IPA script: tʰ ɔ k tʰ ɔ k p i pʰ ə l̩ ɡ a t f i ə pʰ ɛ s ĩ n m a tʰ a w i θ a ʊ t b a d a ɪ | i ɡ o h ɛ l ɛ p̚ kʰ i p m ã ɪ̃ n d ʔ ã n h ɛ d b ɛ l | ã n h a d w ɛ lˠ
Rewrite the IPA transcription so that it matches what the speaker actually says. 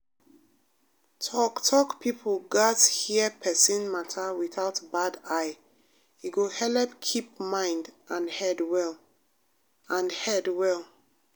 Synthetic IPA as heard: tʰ ɔ k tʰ ɔ k p i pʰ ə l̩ ɡ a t h i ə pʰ ɛ s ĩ n m a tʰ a w i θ a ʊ t b a d a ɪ | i ɡ o h ɛ l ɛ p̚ kʰ i p m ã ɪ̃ n d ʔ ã n h ɛ d w ɛ l | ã n h ɛ d w ɛ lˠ